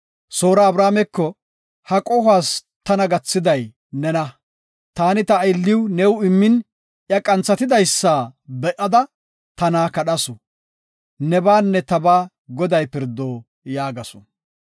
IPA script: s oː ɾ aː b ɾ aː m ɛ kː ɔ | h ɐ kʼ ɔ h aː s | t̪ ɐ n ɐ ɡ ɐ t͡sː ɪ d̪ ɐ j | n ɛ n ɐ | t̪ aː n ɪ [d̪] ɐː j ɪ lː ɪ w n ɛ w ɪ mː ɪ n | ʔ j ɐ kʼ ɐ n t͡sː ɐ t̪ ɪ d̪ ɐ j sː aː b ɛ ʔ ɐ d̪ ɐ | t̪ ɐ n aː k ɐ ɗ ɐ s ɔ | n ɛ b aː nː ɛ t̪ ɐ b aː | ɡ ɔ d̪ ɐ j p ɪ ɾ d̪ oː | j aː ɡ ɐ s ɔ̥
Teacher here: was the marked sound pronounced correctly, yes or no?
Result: no